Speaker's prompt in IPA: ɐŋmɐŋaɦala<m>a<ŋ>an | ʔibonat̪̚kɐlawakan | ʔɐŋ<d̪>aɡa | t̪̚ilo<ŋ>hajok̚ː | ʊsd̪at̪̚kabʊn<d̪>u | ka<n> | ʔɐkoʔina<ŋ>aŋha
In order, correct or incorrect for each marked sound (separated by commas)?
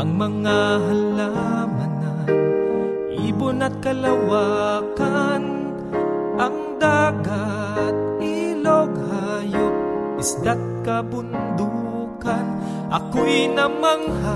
correct, incorrect, correct, incorrect, correct, correct, incorrect